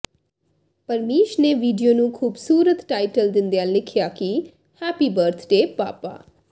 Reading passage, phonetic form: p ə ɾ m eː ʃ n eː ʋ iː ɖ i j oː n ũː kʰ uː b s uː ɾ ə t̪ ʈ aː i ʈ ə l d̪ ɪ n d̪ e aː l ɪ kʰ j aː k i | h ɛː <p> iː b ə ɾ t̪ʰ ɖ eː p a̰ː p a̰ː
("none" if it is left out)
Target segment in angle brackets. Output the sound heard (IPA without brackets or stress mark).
p